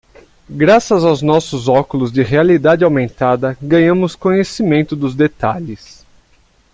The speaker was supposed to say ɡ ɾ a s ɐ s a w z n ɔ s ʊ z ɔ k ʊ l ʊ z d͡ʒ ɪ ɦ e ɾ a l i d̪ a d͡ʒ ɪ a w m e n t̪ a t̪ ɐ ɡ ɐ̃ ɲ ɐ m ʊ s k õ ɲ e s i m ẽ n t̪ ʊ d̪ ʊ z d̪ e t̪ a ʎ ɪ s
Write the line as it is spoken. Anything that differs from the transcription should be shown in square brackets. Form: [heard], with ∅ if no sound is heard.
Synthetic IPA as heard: ɡ ɾ a s ɐ [z] a w z n ɔ s ʊ z ɔ k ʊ l ʊ z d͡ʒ ɪ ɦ e [∅] a l i d̪ a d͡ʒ ɪ a w m [ẽ] n t̪ a [d̪] ɐ ɡ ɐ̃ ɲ [ɐ̃] m ʊ s k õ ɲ e s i m ẽ n t̪ ʊ d̪ ʊ z d̪ e t̪ a ʎ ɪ s